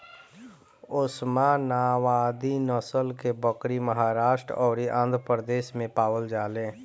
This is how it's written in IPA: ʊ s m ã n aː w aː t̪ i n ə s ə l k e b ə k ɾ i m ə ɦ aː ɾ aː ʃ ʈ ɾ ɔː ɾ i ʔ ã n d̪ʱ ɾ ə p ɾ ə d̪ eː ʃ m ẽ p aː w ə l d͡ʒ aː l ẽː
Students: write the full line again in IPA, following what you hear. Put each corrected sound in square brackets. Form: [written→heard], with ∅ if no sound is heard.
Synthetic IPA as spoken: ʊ s m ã n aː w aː [t̪→d̪] i n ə s ə l k e b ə k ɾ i m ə ɦ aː ɾ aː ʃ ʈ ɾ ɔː ɾ i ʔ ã n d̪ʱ ɾ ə p ɾ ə d̪ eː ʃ m ẽ p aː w ə l d͡ʒ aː l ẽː